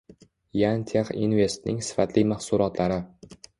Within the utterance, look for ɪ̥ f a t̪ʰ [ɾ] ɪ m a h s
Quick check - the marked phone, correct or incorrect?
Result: incorrect